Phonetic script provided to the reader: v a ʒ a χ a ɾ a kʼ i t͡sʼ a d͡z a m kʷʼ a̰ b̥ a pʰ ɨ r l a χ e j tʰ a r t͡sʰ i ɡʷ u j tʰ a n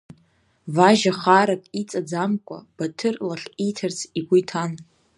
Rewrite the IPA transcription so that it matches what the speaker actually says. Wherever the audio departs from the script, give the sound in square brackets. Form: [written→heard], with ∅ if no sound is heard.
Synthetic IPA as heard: v a ʒ a χ a ɾ a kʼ i t͡sʼ a d͡z a m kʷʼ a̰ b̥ a [pʰ→tʰ] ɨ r l a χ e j tʰ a r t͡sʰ i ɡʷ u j tʰ a n